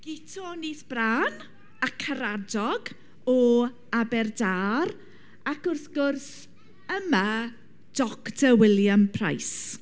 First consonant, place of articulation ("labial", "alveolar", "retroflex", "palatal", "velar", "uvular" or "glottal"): velar